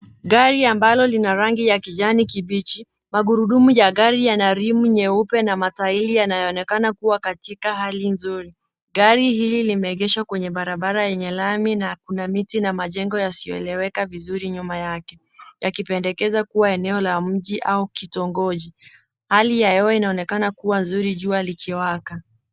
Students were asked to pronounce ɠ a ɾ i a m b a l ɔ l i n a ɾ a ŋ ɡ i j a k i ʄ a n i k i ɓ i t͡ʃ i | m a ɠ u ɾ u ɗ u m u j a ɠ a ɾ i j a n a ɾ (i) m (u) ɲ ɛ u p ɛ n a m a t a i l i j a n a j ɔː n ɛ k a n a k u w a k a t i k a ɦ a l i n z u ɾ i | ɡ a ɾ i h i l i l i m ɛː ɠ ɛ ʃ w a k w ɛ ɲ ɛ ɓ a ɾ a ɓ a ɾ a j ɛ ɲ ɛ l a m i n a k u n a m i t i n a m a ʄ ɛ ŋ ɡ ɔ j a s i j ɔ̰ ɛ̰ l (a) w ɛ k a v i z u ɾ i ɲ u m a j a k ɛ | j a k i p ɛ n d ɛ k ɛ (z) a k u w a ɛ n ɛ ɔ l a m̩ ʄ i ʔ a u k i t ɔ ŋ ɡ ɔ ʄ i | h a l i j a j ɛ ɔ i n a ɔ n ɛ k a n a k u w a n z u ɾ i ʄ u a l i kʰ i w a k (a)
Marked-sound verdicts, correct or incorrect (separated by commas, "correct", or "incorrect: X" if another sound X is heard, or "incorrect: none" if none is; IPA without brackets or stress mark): correct, correct, incorrect: ɛ, correct, correct